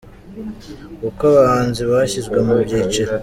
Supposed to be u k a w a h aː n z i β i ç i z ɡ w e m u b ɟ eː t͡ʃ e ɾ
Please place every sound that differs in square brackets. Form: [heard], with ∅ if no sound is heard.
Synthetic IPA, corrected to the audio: u k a [β] a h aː n z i β [a] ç i z ɡ w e m u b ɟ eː t͡ʃ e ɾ